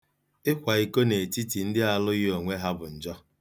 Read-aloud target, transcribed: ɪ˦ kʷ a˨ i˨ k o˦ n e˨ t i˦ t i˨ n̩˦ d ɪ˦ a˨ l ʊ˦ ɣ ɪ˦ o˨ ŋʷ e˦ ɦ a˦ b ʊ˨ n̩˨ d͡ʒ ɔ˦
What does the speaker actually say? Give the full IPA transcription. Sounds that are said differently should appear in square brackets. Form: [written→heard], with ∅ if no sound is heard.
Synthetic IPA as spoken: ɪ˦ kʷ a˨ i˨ k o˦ n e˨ t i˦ t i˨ n̩˦ d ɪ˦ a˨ l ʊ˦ ɣ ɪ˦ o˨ ŋʷ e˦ ɦ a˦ b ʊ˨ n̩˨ d͡ʒ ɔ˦